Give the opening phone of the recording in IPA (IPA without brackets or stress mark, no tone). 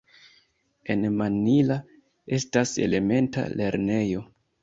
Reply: e̞